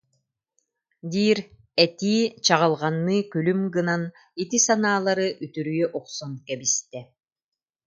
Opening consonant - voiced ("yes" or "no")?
yes